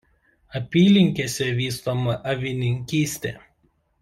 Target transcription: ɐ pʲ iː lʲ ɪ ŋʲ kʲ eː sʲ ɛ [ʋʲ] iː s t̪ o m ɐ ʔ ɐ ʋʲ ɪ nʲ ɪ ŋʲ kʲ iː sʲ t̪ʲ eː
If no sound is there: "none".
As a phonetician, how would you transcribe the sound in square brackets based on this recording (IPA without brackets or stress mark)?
ʋʲ